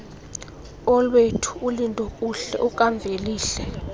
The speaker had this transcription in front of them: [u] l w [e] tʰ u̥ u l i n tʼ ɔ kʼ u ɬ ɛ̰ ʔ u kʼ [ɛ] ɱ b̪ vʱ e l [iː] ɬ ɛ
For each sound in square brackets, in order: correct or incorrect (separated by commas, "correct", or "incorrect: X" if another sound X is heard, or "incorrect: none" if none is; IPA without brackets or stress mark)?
incorrect: ɔ, correct, incorrect: a, correct